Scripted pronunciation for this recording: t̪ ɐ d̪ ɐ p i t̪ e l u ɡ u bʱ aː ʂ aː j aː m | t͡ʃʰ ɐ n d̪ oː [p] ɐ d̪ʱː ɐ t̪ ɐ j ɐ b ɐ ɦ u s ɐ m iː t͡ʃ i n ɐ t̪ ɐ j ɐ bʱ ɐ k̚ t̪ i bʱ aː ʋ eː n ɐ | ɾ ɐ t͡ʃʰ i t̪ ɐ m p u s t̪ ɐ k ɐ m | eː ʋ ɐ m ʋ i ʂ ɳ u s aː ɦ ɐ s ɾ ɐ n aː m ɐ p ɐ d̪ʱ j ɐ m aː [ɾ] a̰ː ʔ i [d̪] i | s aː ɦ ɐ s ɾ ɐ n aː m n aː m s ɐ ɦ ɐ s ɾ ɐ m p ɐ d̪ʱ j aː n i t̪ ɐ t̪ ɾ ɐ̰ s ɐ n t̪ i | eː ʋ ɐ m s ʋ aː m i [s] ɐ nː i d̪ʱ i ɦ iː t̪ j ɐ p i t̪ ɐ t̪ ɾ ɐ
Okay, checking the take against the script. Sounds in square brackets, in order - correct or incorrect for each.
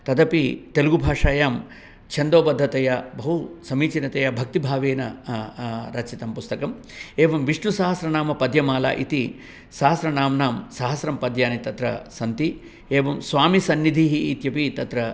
incorrect: b, incorrect: l, incorrect: t̪, correct

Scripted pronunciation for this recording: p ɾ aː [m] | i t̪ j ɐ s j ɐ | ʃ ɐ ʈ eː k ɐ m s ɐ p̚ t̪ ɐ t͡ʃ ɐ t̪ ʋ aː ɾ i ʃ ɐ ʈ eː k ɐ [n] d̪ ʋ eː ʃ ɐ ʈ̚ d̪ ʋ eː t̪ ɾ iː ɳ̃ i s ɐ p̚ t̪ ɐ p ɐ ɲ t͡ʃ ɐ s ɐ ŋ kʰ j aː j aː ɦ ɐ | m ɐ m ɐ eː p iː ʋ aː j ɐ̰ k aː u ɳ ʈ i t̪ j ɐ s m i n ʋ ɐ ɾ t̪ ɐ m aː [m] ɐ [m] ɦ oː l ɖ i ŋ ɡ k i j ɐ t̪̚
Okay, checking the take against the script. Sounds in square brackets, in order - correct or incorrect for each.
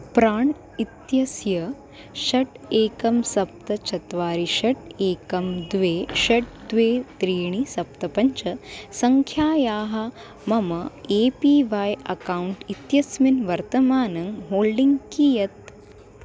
incorrect: ɳ, incorrect: m, incorrect: n, incorrect: ŋ

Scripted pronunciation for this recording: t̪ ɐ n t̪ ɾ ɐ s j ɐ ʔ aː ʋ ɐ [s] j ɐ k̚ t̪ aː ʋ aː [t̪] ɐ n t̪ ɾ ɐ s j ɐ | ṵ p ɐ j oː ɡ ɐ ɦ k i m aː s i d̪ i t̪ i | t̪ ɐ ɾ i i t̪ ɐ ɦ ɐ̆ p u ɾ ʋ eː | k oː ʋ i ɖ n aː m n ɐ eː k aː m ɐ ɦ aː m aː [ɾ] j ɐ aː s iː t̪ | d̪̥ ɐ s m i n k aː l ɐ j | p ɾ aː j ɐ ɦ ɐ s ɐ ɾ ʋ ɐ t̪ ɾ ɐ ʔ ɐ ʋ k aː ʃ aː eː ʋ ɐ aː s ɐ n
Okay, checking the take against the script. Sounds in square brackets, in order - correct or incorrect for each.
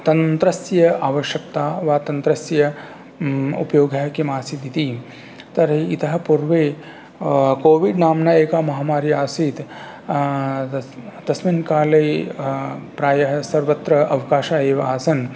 incorrect: ʃ, correct, correct

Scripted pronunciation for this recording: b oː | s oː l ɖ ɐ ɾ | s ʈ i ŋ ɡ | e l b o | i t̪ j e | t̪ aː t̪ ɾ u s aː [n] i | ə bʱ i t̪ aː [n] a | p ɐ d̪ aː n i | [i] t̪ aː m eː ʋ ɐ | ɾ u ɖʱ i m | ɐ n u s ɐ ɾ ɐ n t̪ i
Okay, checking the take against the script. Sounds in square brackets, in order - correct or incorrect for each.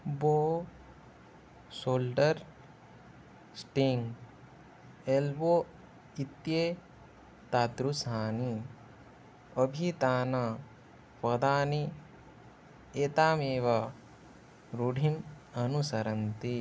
correct, correct, incorrect: e

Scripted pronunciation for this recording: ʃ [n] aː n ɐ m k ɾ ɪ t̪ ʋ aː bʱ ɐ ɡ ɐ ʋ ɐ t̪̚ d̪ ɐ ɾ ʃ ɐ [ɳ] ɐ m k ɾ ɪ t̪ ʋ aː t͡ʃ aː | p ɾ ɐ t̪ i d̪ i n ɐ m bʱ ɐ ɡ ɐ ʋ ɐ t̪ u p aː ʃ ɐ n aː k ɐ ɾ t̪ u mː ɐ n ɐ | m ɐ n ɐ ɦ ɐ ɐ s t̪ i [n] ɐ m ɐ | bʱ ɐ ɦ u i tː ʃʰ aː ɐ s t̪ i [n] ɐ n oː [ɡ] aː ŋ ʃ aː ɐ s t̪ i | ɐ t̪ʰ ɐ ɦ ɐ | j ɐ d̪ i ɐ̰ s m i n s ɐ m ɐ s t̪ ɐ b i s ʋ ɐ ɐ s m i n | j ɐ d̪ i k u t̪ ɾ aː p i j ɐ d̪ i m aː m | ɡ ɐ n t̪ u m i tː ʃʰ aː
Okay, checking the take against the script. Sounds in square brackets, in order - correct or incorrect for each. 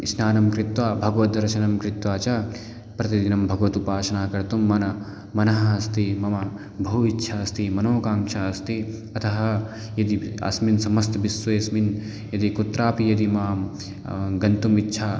correct, incorrect: n, incorrect: m, incorrect: m, incorrect: k

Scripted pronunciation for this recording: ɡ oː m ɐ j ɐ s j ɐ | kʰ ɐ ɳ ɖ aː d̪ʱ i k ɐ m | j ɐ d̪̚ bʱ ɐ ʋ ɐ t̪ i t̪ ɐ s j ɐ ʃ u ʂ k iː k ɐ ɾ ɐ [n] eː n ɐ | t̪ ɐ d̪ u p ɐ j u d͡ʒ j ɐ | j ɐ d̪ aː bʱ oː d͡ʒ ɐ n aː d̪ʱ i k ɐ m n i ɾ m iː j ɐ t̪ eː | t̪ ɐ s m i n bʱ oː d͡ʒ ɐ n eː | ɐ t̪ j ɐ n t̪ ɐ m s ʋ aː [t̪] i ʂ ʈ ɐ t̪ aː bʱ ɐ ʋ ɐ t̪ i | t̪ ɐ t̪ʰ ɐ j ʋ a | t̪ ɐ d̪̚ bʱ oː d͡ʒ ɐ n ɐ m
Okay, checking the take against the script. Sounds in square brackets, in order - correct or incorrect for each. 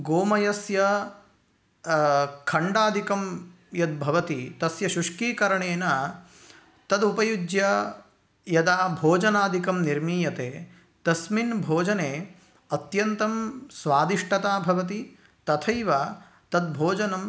incorrect: ɳ, incorrect: d̪

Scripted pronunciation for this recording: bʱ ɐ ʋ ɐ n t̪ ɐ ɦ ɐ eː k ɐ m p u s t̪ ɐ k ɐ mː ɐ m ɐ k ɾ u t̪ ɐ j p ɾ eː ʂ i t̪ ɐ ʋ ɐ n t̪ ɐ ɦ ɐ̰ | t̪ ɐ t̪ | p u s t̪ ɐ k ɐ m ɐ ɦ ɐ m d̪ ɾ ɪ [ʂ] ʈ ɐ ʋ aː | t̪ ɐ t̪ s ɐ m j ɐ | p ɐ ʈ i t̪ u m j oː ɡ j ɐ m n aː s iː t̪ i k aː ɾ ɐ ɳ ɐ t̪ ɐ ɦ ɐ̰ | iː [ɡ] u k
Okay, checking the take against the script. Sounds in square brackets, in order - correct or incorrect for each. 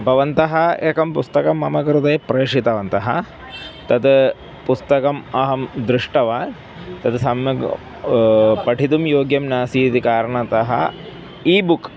correct, incorrect: b

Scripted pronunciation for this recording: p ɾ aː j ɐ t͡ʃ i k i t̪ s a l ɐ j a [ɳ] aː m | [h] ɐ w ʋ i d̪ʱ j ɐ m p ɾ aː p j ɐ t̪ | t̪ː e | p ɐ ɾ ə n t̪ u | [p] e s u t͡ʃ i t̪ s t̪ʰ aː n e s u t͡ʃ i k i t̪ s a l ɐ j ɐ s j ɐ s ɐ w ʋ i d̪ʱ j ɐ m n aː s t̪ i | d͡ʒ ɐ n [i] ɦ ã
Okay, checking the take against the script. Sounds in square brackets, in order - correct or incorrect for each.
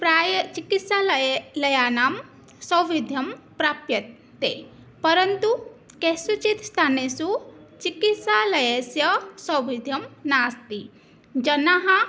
incorrect: n, incorrect: s, incorrect: k, incorrect: a

